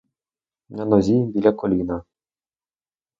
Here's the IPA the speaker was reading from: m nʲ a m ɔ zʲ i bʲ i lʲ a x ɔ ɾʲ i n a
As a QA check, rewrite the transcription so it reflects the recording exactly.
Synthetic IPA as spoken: m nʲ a n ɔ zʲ i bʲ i lʲ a k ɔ lʲ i n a